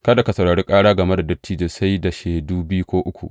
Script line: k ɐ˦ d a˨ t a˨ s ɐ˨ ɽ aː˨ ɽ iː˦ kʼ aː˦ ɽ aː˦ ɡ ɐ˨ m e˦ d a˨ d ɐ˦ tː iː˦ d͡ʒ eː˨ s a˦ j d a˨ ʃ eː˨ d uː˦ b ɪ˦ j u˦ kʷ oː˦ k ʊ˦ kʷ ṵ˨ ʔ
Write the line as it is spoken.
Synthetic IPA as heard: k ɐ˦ d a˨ k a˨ s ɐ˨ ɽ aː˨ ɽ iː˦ kʼ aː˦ ɽ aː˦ ɡ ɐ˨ m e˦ d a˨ d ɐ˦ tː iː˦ d͡ʒ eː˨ s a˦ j d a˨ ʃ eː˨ d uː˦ b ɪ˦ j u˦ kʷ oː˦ ʔ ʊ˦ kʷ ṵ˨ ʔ